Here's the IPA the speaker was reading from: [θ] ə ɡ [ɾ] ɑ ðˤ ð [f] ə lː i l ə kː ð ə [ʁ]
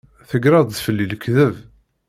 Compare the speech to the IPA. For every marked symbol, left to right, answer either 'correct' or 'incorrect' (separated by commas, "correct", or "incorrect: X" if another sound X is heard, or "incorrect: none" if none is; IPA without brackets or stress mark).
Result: correct, correct, correct, incorrect: v